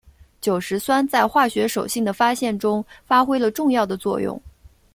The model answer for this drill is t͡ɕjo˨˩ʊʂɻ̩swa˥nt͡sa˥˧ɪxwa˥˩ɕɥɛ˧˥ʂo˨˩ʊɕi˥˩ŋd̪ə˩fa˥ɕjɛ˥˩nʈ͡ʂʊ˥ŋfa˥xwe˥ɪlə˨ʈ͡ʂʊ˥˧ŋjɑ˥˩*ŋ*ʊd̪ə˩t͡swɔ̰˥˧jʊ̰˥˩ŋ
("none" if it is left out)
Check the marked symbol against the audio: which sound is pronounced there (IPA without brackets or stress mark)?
none